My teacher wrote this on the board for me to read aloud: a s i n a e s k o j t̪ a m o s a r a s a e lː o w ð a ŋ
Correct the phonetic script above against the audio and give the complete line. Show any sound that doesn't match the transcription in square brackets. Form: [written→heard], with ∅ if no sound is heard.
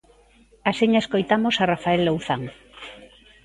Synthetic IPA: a s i [n→ɲ] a e s k o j t̪ a m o s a r a [s→f] a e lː o w [ð→θ] a ŋ